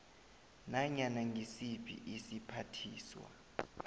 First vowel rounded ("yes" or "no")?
no